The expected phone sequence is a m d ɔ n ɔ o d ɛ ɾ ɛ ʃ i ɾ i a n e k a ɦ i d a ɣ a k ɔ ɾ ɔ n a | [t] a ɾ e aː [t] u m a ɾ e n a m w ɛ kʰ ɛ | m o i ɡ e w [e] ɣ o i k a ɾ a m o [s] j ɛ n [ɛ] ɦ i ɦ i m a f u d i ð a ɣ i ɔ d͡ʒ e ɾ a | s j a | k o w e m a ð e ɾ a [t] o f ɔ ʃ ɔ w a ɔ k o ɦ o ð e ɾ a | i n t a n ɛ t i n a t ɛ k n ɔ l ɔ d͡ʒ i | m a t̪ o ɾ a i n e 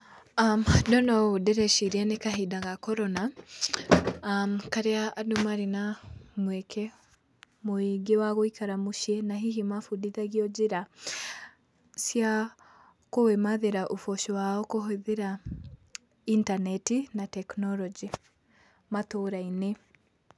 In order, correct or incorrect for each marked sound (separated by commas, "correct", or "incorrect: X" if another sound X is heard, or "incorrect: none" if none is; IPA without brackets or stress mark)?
incorrect: k, incorrect: d, incorrect: a, incorrect: ʃ, incorrect: a, incorrect: ʔ